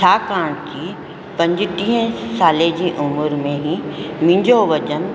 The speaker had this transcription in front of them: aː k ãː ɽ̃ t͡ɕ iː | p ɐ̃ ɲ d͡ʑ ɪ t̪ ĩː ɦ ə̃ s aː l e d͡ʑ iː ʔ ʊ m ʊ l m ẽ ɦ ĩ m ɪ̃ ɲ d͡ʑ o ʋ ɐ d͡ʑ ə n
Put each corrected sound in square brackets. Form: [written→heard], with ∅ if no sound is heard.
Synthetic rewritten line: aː k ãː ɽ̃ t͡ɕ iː | p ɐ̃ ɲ d͡ʑ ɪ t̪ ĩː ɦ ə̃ s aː l e d͡ʑ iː ʔ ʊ m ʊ [l→ɾ] m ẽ ɦ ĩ m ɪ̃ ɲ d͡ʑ o ʋ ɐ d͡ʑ ə n